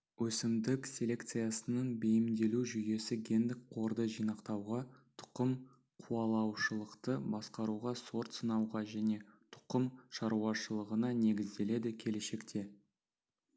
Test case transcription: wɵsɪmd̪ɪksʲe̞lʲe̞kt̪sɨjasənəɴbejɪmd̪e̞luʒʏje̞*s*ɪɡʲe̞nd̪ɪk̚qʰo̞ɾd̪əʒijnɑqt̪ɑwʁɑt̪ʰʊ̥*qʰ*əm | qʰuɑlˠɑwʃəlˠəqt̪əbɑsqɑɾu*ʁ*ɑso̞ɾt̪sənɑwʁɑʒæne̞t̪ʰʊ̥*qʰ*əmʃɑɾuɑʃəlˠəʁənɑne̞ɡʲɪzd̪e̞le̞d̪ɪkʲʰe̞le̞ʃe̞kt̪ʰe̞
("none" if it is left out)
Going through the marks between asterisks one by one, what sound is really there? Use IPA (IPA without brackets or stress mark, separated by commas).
s, q, ʁ, q